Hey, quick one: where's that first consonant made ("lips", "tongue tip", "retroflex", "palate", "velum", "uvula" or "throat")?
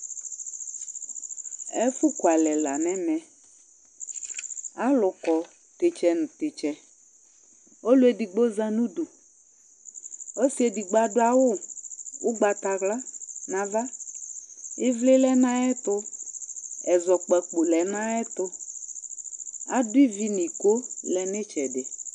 lips